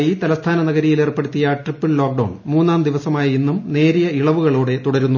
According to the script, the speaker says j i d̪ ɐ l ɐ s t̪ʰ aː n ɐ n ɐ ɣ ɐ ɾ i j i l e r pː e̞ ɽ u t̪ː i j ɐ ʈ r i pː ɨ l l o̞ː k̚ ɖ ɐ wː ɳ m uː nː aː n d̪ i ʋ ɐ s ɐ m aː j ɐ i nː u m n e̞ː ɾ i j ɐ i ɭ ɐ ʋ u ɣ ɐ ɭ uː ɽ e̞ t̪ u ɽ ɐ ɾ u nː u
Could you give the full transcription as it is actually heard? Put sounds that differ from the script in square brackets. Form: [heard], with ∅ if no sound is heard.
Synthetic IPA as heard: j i [t̪] ɐ l ɐ s t̪ʰ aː n ɐ n ɐ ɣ ɐ ɾ i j i l e r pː e̞ ɽ u t̪ː i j ɐ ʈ r i pː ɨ l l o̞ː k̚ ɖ ɐ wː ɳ m uː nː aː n d̪ i ʋ ɐ s ɐ m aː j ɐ i nː u m n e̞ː ɾ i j ɐ i ɭ ɐ ʋ u ɣ ɐ ɭ uː ɽ e̞ t̪ u ɽ ɐ ɾ u nː u